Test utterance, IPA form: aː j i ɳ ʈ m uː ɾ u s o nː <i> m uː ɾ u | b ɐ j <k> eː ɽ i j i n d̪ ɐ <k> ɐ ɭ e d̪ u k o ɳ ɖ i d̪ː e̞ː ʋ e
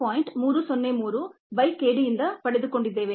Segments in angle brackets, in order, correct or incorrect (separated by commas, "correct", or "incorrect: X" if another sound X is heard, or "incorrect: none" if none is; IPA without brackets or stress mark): incorrect: e, correct, incorrect: p